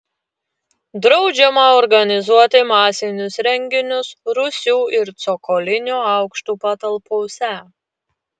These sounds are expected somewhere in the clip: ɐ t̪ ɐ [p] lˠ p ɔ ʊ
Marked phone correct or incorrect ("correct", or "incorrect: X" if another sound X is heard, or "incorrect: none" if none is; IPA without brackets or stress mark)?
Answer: incorrect: none